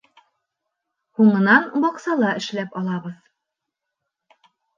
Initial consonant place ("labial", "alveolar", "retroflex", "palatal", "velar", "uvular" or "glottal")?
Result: glottal